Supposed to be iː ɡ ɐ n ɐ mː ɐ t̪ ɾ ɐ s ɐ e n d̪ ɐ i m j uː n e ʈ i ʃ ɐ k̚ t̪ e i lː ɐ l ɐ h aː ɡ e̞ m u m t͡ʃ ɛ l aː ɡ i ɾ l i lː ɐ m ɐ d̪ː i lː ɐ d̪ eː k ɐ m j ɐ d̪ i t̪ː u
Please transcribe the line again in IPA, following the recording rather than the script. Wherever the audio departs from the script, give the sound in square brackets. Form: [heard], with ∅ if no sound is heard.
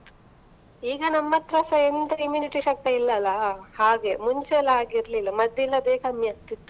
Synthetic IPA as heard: iː ɡ ɐ n ɐ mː ɐ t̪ ɾ ɐ s ɐ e n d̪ ɐ i m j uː n [i] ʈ i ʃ ɐ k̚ t̪ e i lː ɐ l ɐ h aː ɡ e̞ m u [ɲ] t͡ʃ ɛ l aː ɡ i ɾ l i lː ɐ m ɐ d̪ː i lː ɐ d̪ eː k ɐ m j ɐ [t̪] i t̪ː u

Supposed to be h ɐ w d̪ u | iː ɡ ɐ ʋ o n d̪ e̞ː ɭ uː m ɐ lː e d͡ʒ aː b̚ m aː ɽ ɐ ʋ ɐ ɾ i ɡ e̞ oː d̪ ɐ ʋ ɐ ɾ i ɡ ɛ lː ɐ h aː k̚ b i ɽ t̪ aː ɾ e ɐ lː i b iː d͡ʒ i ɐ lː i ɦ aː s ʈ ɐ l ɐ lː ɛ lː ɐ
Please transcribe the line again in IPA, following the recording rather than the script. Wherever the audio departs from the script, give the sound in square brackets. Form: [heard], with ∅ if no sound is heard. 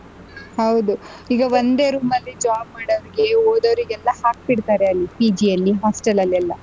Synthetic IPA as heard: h ɐ w d̪ u | iː ɡ ɐ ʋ o n d̪ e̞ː [ɾ] uː m ɐ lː [i] d͡ʒ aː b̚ m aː ɽ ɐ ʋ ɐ ɾ i ɡ e̞ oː d̪ ɐ ʋ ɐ ɾ i ɡ ɛ lː ɐ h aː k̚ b i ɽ t̪ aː ɾ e ɐ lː i [p] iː d͡ʒ i ɐ lː i ɦ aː s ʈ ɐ l ɐ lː ɛ lː ɐ

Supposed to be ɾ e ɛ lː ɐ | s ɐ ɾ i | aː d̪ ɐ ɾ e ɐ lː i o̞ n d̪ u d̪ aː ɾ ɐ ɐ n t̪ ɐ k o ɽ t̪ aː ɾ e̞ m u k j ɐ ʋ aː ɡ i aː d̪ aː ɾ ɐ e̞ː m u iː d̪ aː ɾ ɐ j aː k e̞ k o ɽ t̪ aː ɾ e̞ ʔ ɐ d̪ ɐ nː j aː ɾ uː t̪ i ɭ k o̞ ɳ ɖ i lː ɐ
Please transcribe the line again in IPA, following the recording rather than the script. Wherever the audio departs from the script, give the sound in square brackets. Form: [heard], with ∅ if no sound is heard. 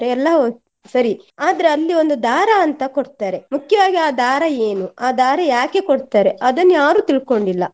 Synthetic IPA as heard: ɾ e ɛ lː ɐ | s ɐ ɾ i | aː d̪ ɐ ɾ e ɐ lː i o̞ n d̪ u d̪ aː ɾ ɐ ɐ n t̪ ɐ k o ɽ t̪ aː ɾ e̞ m u k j ɐ ʋ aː ɡ i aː d̪ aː ɾ ɐ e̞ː [n] u [aː] d̪ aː ɾ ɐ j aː k e̞ k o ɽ t̪ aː ɾ e̞ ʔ ɐ d̪ ɐ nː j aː ɾ uː t̪ i ɭ k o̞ ɳ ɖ i lː ɐ

